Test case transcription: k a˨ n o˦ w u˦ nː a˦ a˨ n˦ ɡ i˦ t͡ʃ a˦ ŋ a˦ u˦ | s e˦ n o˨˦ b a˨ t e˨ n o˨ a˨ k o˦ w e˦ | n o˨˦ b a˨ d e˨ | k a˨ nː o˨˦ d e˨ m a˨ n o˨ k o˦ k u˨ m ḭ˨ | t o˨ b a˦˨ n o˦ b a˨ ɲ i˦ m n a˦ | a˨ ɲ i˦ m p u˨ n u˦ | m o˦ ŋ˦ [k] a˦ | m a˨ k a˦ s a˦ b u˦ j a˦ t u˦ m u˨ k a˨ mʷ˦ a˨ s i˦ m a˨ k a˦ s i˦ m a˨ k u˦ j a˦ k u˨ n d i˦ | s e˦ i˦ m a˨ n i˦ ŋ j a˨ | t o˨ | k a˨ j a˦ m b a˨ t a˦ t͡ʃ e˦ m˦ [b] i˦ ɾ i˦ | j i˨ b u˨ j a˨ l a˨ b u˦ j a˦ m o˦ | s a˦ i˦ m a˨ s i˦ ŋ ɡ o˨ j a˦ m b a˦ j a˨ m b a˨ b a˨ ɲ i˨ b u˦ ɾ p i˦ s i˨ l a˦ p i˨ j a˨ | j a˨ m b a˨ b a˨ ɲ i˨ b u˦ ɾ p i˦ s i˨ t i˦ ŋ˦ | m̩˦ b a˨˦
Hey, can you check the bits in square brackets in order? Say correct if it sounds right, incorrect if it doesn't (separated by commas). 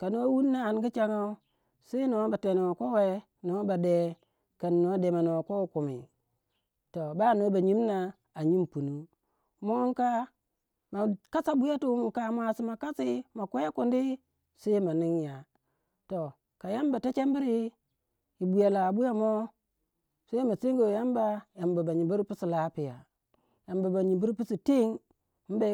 correct, correct